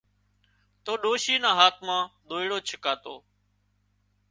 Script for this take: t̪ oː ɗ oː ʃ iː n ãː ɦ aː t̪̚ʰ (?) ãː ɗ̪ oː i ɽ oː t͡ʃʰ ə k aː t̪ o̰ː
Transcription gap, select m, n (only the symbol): m